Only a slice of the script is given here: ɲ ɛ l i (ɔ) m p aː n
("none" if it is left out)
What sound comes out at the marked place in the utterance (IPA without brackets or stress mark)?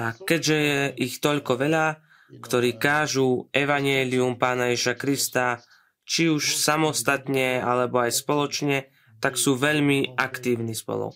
u